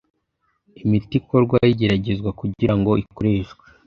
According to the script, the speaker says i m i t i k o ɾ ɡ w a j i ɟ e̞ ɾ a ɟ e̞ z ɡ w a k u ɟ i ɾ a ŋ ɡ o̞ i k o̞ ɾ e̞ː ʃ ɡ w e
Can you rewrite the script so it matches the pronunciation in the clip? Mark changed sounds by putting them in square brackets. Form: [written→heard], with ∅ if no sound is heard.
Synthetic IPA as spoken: i m i t i k o ɾ ɡ w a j i ɟ e̞ ɾ a ɟ e̞ z ɡ w a k u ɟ i ɾ a ŋ ɡ o̞ i k o̞ ɾ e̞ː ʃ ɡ w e